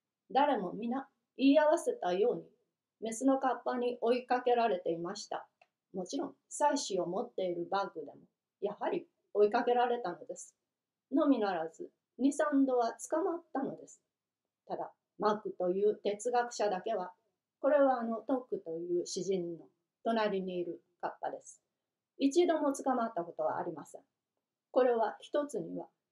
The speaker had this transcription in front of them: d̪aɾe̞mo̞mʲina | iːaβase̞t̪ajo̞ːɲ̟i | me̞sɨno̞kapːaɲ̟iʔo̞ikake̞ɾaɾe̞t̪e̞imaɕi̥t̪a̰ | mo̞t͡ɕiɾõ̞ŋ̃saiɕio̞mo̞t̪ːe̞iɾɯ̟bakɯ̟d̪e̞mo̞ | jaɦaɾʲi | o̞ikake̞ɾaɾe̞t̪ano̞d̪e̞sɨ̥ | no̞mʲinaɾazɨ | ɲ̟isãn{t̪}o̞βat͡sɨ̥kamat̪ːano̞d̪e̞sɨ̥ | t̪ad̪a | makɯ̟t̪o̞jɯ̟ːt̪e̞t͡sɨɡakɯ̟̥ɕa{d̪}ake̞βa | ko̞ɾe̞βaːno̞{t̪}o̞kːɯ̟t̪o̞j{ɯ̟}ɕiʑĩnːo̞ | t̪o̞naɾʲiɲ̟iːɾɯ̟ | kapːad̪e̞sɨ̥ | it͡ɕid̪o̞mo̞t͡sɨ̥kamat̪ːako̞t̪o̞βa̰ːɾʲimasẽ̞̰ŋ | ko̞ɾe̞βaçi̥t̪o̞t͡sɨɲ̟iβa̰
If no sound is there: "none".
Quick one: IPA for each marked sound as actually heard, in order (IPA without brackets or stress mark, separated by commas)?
d̪, d̪, t̪, ɯ̟ː